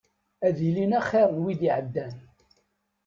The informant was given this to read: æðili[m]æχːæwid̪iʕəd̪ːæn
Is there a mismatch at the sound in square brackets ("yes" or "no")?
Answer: yes